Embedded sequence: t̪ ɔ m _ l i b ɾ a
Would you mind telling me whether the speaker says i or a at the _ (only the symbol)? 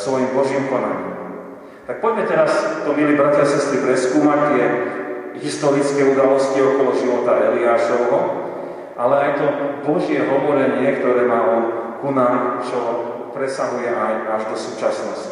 i